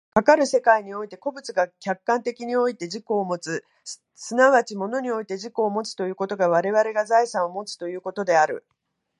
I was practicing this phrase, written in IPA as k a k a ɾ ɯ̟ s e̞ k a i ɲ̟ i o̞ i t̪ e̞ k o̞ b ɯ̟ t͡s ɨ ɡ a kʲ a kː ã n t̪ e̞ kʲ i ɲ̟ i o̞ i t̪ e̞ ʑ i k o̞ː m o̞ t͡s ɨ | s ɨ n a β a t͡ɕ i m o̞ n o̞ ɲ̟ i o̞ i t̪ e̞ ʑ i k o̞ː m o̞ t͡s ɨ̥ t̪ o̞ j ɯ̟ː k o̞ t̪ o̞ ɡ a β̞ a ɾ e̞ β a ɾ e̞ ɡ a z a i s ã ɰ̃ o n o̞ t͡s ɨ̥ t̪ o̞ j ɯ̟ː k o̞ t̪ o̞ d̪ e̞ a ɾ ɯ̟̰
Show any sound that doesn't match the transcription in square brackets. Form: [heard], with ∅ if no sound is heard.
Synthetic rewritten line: k a k a ɾ ɯ̟ s e̞ k a i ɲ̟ i o̞ i t̪ e̞ k o̞ b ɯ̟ t͡s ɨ ɡ a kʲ a kː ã n t̪ e̞ kʲ i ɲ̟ i o̞ i t̪ e̞ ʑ i k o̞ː m o̞ t͡s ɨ | s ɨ n a β a t͡ɕ i m o̞ n o̞ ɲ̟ i o̞ i t̪ e̞ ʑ i k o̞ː m o̞ t͡s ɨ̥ t̪ o̞ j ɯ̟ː k o̞ t̪ o̞ ɡ a β̞ a ɾ e̞ β a ɾ e̞ ɡ a z a i s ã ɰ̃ o [m] o̞ t͡s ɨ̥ t̪ o̞ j ɯ̟ː k o̞ t̪ o̞ d̪ e̞ a ɾ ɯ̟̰